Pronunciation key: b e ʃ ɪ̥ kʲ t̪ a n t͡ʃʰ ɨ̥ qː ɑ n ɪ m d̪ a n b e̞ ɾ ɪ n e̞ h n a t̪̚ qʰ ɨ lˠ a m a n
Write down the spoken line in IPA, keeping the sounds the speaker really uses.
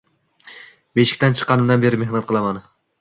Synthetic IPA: b e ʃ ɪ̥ kʲ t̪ a n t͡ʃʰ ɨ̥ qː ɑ n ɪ m d̪ a n b e̞ ɾ ɪ m e̞ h n a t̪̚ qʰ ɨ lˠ a m a n